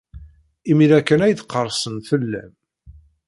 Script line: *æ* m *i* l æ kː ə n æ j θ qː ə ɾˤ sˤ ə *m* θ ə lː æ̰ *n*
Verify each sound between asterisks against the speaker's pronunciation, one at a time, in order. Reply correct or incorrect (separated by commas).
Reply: incorrect, correct, incorrect, incorrect